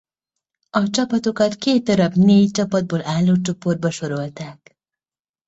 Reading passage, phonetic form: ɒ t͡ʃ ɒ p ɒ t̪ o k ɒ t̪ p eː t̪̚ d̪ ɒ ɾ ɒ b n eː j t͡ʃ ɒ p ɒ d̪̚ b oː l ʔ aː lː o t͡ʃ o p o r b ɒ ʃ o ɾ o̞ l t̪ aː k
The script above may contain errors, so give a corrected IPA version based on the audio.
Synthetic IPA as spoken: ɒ t͡ʃ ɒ p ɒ t̪ o k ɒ t̪ k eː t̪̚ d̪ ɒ ɾ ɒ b n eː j t͡ʃ ɒ p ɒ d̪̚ b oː l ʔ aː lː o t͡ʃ o p o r b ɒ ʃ o ɾ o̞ l t̪ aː k